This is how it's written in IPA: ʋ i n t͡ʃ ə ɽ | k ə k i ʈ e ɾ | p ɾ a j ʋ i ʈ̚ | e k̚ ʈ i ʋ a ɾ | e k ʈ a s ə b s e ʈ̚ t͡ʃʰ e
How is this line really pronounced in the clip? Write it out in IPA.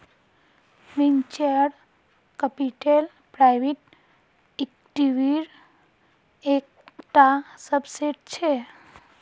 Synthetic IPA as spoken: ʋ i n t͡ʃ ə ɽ | k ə p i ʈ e l | p ɾ a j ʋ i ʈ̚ | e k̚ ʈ i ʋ i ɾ | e k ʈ a s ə b s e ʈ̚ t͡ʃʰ e

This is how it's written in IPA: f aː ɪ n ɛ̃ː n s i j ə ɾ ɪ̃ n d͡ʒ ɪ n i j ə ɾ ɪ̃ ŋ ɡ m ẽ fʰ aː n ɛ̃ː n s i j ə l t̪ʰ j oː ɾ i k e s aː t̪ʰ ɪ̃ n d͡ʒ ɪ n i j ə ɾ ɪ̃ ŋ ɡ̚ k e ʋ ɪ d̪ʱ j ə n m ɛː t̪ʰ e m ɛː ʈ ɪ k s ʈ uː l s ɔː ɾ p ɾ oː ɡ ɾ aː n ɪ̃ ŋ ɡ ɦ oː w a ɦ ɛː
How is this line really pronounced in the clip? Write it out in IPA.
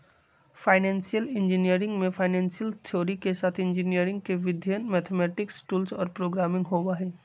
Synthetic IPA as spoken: f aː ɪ n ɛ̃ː n s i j ə l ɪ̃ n d͡ʒ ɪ n i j ə ɾ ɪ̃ ŋ ɡ m ẽ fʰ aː n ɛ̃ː n s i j ə l t̪ʰ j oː ɾ i k e s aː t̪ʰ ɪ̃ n d͡ʒ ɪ n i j ə ɾ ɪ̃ ŋ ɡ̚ k e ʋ ɪ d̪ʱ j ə n m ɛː t̪ʰ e m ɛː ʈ ɪ k s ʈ uː l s ɔː ɾ p ɾ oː ɡ ɾ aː m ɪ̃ ŋ ɡ ɦ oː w a ɦ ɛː

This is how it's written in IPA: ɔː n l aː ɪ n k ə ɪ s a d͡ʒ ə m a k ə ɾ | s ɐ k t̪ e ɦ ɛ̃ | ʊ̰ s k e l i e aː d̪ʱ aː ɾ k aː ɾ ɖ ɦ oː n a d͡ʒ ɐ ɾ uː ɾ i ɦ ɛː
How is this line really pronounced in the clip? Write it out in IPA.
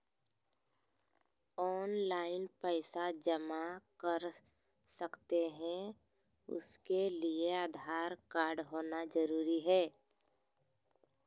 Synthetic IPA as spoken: ɔː n l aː ɪ n p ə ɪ s a d͡ʒ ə m a k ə ɾ | s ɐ k t̪ e ɦ ɛ̃ | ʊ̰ s k e l i e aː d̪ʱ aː ɾ k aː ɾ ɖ ɦ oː n a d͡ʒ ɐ ɾ uː ɾ i ɦ ɛː

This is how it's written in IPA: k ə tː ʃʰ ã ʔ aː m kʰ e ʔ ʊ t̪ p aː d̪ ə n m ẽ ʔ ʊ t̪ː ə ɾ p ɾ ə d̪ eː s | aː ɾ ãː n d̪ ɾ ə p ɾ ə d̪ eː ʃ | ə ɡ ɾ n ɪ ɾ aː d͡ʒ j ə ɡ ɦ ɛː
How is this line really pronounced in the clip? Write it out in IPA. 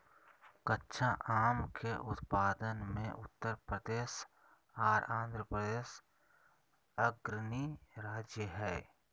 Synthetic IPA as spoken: k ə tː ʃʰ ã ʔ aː m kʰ e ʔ ʊ t̪ p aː d̪ ə n m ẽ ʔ ʊ t̪ː ə ɾ p ɾ ə d̪ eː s | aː ɾ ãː n d̪ ɾ ə p ɾ ə d̪ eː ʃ | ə ɡ ɾ n i ɾ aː d͡ʒ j ə ɦ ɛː

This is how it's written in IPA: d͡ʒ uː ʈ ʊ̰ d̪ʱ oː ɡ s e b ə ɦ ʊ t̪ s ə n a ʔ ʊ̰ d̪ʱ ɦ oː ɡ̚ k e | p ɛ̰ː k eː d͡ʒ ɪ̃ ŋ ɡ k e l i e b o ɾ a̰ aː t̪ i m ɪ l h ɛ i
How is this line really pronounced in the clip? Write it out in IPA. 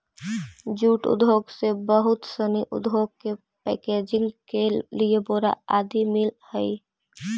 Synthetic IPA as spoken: d͡ʒ uː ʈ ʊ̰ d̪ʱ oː ɡ s e b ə ɦ ʊ t̪ s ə n i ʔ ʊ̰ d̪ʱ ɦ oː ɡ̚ k e | p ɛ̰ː k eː d͡ʒ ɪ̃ ŋ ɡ k e l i e b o ɾ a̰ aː d̪ i m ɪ l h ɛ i

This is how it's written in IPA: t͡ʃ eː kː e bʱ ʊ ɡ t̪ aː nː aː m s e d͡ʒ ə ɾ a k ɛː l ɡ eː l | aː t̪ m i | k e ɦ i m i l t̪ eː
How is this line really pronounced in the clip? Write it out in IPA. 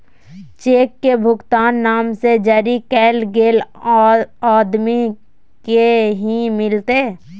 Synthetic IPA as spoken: t͡ʃ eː kː e bʱ ʊ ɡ t̪ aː nː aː m s e d͡ʒ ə ɾ i k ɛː l ɡ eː l | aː d̪ m i | k e ɦ i m ɪ l t̪ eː

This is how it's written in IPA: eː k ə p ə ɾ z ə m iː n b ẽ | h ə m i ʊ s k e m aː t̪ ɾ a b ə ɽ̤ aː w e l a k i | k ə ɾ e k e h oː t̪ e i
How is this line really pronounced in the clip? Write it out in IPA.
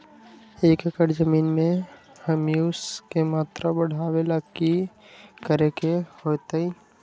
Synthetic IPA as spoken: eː k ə k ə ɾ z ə m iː n m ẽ | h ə m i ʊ s k e m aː t̪ ɾ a b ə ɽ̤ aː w e l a k i | k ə ɾ e k e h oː t̪ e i

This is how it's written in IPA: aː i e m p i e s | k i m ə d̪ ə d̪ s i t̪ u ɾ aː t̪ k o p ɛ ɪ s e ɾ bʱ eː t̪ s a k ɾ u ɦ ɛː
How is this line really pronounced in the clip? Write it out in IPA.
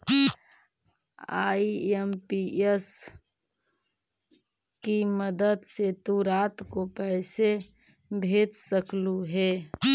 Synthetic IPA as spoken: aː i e m p i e s | k i m ə d̪ ə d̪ s e t̪ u ɾ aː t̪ k o p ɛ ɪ s e bʱ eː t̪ s ə k l u ɦ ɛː

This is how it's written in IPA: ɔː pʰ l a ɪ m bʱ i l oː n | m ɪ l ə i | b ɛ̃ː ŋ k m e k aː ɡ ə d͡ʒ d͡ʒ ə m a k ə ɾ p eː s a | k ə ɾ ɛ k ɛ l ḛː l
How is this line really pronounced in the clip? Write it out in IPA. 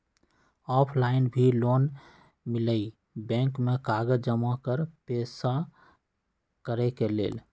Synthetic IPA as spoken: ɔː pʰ l a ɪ n bʱ i l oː n | m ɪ l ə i | b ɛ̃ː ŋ k m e k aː ɡ ə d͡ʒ d͡ʒ ə m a k ə ɾ p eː s a | k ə ɾ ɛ k e l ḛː l

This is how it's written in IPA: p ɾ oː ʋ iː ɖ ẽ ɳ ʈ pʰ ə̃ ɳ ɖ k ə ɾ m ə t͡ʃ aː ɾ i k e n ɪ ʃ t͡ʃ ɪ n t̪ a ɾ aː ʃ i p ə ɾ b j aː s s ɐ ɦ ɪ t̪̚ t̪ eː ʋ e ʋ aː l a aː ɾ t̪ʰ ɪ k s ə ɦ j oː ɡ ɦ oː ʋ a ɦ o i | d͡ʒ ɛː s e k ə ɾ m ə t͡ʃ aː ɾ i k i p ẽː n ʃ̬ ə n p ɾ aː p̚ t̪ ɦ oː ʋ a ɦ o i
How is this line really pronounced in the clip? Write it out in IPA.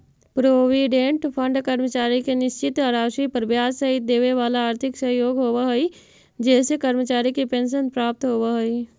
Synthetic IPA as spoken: p ɾ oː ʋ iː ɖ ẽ ɳ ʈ pʰ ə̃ ɳ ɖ k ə ɾ m ə t͡ʃ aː ɾ i k e n ɪ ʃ t͡ʃ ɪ t̪ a ɾ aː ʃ i p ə ɾ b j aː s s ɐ ɦ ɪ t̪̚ d̪ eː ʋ e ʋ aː l a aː ɾ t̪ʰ ɪ k s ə ɦ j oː ɡ ɦ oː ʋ a ɦ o i | d͡ʒ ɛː s e k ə ɾ m ə t͡ʃ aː ɾ i k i p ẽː n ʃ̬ ə n p ɾ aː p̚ t̪ ɦ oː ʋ a ɦ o i

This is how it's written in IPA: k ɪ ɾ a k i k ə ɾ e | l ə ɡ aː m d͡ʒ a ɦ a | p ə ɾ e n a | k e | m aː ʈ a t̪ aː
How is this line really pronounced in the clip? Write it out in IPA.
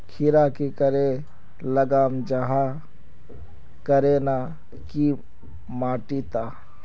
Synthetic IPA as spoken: kʰ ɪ ɾ a k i k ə ɾ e | l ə ɡ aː m d͡ʒ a ɦ a | k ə ɾ e n a | k i | m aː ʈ i t̪ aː

